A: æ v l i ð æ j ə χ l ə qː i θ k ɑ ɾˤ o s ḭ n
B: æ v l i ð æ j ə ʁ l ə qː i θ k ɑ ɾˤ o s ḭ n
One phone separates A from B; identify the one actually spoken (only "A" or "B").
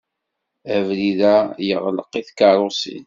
B